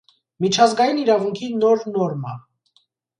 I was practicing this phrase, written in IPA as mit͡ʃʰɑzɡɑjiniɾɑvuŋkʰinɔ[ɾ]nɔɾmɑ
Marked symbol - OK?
yes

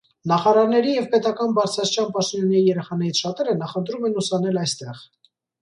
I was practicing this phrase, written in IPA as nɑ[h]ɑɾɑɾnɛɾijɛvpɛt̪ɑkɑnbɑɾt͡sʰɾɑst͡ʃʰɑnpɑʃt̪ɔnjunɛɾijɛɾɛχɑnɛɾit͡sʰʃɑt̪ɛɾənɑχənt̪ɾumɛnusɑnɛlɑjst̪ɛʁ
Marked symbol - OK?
no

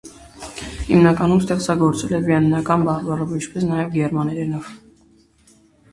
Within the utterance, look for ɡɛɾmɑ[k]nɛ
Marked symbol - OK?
no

